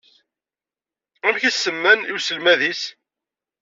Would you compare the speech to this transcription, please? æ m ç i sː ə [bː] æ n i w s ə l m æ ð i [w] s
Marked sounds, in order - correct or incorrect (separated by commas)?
incorrect, incorrect